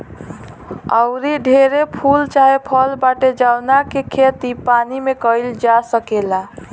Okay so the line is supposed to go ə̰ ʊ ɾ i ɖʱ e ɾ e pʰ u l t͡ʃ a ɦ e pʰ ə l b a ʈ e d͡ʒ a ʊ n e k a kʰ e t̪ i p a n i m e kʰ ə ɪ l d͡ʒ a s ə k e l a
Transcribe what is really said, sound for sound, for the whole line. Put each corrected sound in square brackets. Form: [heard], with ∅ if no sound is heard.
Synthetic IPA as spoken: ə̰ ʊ ɾ i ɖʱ e ɾ e pʰ u l t͡ʃ a ɦ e pʰ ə l b a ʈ e d͡ʒ a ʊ n [a] k [e] kʰ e t̪ i p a n i m e [k] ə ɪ l d͡ʒ a s ə k e l a